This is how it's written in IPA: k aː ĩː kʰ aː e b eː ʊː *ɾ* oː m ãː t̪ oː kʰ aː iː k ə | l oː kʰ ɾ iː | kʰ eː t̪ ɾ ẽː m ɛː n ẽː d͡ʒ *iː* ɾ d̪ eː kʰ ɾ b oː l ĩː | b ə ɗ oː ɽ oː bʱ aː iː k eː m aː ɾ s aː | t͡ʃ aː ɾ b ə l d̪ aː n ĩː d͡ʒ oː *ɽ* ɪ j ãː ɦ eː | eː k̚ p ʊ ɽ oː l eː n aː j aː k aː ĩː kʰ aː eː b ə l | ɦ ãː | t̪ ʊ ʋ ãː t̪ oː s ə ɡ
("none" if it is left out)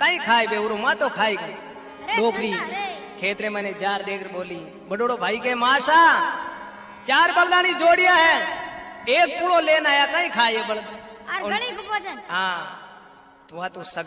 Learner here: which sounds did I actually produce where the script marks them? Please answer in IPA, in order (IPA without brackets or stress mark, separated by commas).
ɾ, aː, ɽ